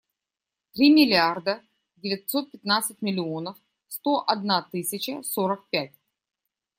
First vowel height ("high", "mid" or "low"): high